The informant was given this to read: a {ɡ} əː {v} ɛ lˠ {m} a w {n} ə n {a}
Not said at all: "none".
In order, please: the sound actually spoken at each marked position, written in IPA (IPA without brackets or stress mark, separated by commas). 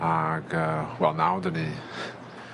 ɡ, w, n, d, i